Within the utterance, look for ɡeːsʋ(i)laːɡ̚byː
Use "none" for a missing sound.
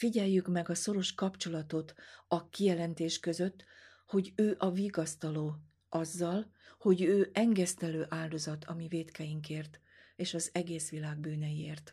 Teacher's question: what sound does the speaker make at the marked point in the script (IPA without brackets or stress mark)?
i